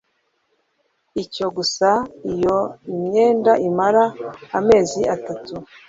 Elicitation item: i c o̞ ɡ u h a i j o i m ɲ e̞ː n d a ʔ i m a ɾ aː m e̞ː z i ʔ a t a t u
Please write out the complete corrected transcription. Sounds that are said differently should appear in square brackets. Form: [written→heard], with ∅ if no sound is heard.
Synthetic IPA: i c o̞ ɡ u [h→s] a i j o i m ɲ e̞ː n d a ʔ i m a ɾ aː m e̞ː z i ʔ a t a t u